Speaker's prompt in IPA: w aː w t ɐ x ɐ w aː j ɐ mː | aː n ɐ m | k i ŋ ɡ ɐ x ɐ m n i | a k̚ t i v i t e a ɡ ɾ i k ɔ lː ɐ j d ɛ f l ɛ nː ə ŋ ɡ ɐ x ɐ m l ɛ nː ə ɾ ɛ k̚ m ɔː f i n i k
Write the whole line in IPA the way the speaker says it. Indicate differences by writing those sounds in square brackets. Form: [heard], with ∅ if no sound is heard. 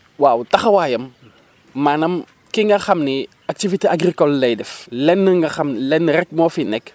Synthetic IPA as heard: w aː w t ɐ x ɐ w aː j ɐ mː | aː n ɐ m | k i ŋ ɡ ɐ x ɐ m n i | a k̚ t i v i t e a ɡ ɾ i k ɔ lː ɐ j d ɛ f l ɛ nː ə ŋ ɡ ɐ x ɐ m l ɛ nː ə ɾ ɛ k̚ m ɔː f i n [ɛ] k